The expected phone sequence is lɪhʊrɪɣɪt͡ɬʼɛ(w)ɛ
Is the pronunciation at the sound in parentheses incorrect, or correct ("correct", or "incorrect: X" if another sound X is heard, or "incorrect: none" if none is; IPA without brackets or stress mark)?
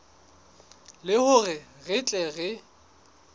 incorrect: ɣ